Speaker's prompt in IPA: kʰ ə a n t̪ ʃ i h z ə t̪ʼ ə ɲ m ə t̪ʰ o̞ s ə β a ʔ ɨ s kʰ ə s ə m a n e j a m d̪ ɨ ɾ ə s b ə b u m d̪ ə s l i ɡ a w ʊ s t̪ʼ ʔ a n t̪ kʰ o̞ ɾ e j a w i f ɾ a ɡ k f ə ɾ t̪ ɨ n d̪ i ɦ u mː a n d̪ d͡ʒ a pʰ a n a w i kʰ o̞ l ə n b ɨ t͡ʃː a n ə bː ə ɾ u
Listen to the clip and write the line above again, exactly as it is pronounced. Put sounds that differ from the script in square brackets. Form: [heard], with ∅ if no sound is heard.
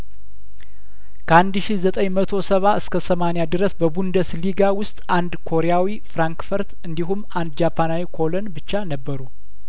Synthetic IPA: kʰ ə a n [d̪] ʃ i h z ə t̪ʼ ə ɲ m ə t̪ʰ o̞ s ə β a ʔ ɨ s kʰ ə s ə m a n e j a [∅] d̪ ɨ ɾ ə s b ə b u [n] d̪ ə s l i ɡ a w ʊ s t̪ʼ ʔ a n [d̪] kʰ o̞ ɾ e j a w i f ɾ a [ŋ] k f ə ɾ t̪ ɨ n d̪ i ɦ u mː a n d̪ d͡ʒ a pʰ a n a w i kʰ o̞ l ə n b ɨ t͡ʃː a n ə bː ə ɾ u